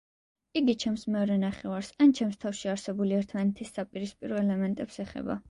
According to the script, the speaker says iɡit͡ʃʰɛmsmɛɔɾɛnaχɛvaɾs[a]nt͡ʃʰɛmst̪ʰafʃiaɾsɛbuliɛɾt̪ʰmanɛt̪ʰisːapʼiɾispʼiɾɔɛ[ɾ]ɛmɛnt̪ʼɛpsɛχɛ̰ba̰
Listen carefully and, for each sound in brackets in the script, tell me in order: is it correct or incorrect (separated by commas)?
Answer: correct, incorrect